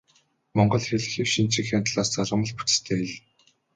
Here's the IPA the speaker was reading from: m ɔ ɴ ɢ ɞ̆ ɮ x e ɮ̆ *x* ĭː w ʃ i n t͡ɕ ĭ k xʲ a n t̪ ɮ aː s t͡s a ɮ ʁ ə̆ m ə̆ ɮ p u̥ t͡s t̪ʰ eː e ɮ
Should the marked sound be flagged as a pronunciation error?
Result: no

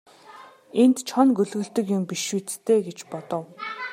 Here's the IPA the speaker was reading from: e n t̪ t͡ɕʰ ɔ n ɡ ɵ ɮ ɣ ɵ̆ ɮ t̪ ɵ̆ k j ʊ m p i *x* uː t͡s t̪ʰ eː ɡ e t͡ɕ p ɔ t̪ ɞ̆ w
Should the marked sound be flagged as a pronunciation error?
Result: yes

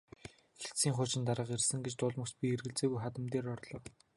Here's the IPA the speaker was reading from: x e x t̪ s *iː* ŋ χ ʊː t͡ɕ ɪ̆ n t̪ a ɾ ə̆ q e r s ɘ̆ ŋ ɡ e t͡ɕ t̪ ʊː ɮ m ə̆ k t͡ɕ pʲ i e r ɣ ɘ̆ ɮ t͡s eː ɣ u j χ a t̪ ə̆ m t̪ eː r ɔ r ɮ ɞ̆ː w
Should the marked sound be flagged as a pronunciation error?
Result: no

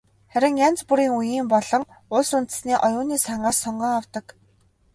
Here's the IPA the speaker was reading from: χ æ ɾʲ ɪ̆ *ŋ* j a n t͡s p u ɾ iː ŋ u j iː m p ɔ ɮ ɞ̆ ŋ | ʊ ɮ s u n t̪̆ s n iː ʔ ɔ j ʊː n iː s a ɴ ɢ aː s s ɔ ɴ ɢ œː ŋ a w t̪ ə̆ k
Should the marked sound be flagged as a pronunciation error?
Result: no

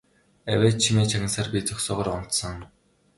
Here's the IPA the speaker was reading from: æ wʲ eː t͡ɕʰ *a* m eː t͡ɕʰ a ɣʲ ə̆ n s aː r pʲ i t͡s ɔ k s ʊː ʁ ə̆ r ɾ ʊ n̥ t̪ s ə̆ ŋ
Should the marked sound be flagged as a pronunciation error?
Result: yes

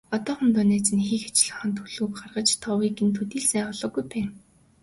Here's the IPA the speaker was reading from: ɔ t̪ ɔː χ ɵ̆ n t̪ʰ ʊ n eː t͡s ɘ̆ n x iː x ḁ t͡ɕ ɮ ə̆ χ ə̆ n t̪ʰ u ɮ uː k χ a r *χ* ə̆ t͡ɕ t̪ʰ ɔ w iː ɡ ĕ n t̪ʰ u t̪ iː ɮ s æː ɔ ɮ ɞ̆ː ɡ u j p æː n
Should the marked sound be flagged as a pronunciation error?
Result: yes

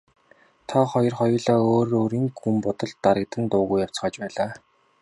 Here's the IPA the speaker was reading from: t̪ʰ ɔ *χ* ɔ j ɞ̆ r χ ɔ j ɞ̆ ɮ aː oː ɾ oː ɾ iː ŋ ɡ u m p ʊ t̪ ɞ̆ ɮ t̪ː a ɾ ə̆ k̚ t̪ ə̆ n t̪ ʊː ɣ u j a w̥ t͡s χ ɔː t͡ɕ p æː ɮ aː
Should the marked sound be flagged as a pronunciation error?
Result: no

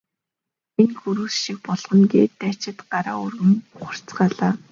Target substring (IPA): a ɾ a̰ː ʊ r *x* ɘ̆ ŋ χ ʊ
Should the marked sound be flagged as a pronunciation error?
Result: yes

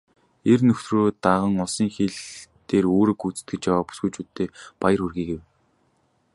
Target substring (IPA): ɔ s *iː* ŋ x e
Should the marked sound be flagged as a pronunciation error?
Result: no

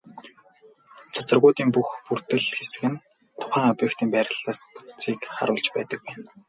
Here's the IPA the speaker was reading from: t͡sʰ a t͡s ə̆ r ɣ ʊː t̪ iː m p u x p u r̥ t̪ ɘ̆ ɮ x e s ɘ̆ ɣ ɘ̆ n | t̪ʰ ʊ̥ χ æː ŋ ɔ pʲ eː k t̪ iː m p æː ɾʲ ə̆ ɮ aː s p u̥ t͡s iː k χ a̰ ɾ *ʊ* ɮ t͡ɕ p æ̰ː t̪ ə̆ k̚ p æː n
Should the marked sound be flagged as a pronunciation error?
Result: yes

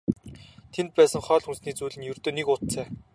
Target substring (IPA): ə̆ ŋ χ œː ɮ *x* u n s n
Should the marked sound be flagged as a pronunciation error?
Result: no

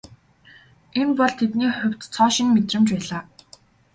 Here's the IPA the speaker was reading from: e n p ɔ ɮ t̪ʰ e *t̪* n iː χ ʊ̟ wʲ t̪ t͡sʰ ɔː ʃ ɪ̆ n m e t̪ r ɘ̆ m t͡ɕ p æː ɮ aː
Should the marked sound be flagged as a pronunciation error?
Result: no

